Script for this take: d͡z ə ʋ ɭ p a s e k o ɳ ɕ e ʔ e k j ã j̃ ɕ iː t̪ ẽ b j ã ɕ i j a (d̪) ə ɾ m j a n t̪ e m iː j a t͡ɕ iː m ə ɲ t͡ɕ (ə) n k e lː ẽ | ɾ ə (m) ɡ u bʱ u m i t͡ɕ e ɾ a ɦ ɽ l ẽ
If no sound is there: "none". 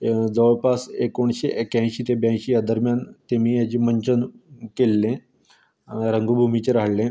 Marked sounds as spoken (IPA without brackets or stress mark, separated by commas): d̪, ə, ŋ